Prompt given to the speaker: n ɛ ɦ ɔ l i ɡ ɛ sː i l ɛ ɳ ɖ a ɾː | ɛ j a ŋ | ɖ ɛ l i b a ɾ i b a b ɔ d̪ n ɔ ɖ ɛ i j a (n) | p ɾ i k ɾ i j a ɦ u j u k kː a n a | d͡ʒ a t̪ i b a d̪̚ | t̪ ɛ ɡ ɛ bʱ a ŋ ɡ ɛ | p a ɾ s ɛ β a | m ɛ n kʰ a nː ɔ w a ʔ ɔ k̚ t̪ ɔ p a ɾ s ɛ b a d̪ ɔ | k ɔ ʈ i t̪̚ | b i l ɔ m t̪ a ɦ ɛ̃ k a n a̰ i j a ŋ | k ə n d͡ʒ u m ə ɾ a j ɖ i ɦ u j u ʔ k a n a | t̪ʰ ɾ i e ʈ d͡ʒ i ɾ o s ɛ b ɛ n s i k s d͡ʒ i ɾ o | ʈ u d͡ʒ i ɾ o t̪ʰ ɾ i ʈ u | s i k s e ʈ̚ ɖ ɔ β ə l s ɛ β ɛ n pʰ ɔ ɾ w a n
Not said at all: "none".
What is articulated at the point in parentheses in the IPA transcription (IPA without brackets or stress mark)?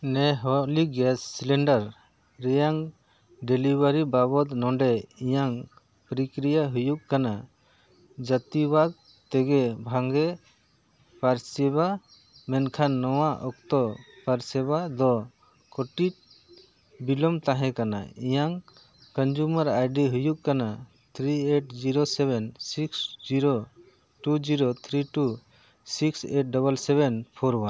ŋ